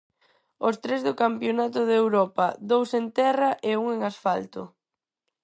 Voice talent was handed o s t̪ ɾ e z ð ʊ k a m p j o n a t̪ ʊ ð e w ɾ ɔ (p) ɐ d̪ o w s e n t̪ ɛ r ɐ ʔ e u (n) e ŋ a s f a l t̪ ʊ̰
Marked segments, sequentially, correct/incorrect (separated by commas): correct, incorrect